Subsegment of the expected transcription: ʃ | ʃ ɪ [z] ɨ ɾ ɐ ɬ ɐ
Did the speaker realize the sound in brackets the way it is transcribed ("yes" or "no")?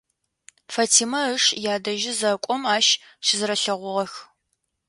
yes